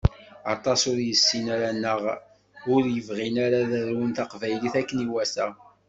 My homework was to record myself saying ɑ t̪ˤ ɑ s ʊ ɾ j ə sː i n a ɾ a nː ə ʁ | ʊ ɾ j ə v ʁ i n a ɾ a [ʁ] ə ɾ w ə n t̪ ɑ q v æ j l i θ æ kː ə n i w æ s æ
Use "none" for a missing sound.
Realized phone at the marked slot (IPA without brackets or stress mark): ð